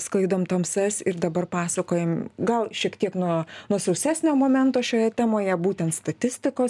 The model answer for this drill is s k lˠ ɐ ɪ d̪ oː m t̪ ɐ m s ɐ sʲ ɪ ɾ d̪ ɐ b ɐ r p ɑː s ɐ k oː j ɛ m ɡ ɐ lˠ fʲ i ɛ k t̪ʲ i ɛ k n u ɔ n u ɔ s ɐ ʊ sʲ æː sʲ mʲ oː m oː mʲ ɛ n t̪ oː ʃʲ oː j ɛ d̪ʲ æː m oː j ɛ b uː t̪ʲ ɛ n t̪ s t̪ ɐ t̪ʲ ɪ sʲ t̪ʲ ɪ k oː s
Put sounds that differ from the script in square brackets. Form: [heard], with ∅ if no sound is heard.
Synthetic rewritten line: s k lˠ ɐ ɪ d̪ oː m t̪ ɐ m s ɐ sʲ ɪ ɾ d̪ ɐ b ɐ r p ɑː s ɐ k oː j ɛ m ɡ ɐ lˠ [ʃʲ] i ɛ k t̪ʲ i ɛ k n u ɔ n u ɔ s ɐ ʊ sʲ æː sʲ [nʲ] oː m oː mʲ ɛ n t̪ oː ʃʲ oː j ɛ [t̪ʲ] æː m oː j ɛ b uː t̪ʲ ɛ n t̪ s t̪ ɐ t̪ʲ ɪ sʲ t̪ʲ ɪ k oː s